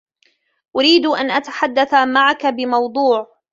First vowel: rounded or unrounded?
rounded